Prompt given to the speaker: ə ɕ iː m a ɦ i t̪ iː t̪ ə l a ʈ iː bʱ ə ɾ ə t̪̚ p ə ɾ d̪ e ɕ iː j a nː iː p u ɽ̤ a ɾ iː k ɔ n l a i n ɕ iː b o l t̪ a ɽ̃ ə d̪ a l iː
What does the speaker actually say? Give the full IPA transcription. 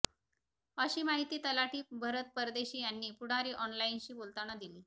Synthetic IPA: ə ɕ iː m a ɦ i t̪ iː t̪ ə l a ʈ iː bʱ ə ɾ ə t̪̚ p ə ɾ d̪ e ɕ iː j a nː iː p u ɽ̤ a ɾ iː ʔ ɔ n l a i n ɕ iː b o l t̪ a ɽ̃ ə d̪ i l iː